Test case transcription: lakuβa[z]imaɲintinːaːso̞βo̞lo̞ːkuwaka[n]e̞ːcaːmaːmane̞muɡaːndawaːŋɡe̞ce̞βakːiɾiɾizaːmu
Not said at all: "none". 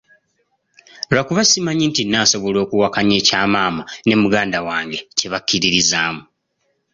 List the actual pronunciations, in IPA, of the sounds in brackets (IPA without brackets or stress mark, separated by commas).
s, ɲ